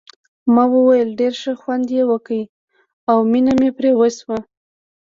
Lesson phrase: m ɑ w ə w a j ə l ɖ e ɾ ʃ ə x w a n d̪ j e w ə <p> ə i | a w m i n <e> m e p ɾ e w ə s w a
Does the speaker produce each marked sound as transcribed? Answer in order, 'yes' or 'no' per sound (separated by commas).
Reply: no, no